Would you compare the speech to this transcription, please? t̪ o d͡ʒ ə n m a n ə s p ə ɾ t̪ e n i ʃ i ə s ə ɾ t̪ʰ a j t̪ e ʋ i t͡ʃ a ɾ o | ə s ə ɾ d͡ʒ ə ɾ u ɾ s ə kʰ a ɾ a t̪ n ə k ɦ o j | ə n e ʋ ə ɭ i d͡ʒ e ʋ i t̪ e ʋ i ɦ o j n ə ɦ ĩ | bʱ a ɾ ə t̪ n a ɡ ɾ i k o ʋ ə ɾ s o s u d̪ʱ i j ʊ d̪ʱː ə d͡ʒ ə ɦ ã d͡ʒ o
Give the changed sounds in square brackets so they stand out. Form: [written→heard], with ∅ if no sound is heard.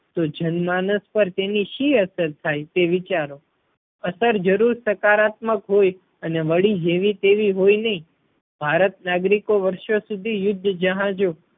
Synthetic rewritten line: t̪ o d͡ʒ ə n m a n ə s p ə ɾ t̪ e n i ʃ i ə s ə ɾ t̪ʰ a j t̪ e ʋ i t͡ʃ a ɾ o | ə s ə ɾ d͡ʒ ə ɾ u ɾ s ə [kʰ→k] a ɾ a t̪ [n→m] ə k ɦ o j | ə n e ʋ ə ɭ i d͡ʒ e ʋ i t̪ e ʋ i ɦ o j n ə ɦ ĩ | bʱ a ɾ ə t̪ n a ɡ ɾ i k o ʋ ə ɾ [s→ʃ] o s u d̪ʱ i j ʊ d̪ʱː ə d͡ʒ ə ɦ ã d͡ʒ o